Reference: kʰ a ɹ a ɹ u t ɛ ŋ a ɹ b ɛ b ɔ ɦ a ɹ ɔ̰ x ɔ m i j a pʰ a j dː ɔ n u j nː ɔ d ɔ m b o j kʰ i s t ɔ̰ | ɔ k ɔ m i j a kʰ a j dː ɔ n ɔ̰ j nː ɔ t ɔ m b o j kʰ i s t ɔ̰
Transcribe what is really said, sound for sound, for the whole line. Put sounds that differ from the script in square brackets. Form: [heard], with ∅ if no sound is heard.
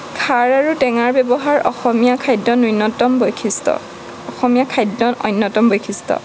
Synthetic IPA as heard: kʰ a ɹ a ɹ u t ɛ ŋ a ɹ b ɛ b ɔ ɦ a ɹ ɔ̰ x ɔ m i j a [kʰ] a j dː ɔ n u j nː ɔ [t] ɔ m b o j kʰ i s t ɔ̰ | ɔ [x] ɔ m i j a kʰ a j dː ɔ n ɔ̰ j nː ɔ t ɔ m b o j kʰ i s t ɔ̰